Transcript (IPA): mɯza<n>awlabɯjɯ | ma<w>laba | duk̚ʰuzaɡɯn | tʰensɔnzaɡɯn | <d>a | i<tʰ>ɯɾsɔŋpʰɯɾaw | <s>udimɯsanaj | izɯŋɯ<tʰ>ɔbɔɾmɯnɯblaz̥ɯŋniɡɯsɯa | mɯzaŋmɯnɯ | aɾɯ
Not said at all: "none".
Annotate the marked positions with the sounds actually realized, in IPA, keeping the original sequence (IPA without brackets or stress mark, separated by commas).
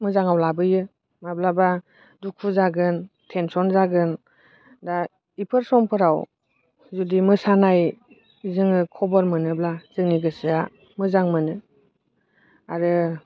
ŋ, b, d, pʰ, z, kʰ